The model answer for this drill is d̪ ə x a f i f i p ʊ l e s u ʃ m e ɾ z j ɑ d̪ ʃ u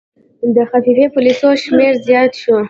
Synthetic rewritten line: d̪ ə x a f i f e p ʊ l i s o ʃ m e ɾ z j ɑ t̪ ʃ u